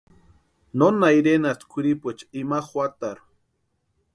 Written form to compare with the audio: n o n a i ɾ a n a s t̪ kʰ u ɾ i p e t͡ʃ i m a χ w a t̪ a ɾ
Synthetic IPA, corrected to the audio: n o n a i ɾ e n a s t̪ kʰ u ɾ i p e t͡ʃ i m a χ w a t̪ a ɾ